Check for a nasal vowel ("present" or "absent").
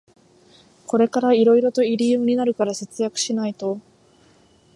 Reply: absent